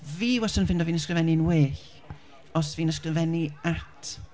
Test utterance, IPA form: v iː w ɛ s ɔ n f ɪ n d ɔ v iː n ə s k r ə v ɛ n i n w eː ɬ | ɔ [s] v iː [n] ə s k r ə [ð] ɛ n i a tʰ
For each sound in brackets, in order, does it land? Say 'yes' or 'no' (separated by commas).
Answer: yes, yes, no